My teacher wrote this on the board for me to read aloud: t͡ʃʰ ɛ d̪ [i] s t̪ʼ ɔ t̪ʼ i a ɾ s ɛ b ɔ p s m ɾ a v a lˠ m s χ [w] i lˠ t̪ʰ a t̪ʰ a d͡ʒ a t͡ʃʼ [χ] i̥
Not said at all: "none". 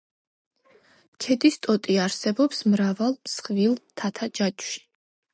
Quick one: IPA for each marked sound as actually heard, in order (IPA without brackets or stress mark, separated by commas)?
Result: i, v, ʃ